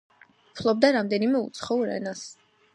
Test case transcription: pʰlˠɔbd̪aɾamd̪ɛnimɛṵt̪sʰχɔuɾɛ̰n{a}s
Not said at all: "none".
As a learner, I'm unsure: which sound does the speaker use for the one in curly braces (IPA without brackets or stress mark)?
a